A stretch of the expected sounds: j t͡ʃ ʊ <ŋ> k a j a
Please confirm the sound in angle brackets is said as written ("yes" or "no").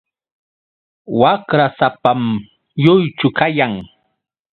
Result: no